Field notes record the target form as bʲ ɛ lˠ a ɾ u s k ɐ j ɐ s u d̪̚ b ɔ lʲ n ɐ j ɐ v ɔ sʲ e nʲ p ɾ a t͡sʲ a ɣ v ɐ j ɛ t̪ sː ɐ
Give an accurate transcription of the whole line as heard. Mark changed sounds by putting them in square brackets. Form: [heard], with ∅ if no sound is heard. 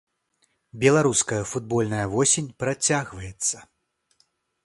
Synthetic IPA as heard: bʲ ɛ lˠ a ɾ u s k ɐ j ɐ [f] u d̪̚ b ɔ lʲ n ɐ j ɐ v ɔ sʲ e nʲ p ɾ a t͡sʲ a ɣ v ɐ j ɛ t̪ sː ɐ